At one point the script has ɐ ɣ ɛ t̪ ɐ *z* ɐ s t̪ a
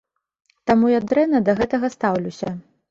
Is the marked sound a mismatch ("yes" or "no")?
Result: yes